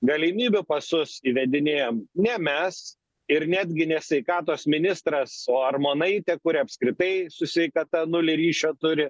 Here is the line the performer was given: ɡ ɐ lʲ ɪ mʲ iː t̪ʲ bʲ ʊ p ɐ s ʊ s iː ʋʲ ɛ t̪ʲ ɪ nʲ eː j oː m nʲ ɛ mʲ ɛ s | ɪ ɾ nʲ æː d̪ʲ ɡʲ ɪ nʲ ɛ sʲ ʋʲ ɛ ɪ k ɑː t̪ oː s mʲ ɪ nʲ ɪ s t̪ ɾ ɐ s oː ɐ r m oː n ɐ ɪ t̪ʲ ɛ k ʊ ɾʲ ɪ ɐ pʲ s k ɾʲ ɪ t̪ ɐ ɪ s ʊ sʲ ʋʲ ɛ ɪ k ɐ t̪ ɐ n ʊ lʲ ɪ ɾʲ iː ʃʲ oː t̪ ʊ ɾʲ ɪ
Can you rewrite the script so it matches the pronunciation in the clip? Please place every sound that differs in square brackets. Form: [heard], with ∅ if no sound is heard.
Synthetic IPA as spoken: ɡ ɐ lʲ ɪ mʲ iː [∅] bʲ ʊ p ɐ s ʊ s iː ʋʲ ɛ [d̪ʲ] ɪ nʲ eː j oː m nʲ ɛ mʲ ɛ s | ɪ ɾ nʲ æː d̪ʲ ɡʲ ɪ nʲ ɛ sʲ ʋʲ ɛ ɪ k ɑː t̪ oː s mʲ ɪ nʲ ɪ s t̪ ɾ ɐ s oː ɐ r m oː n ɐ ɪ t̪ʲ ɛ k ʊ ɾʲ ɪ ɐ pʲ s k ɾʲ ɪ t̪ ɐ ɪ s ʊ sʲ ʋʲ ɛ ɪ k ɐ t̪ ɐ n ʊ lʲ ɪ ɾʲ iː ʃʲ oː t̪ ʊ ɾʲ ɪ